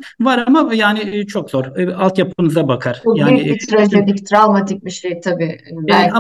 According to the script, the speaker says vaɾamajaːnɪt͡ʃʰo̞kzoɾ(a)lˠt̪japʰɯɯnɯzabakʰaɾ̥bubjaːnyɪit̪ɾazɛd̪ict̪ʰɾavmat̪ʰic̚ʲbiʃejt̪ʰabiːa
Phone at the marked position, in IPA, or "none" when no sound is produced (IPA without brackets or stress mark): a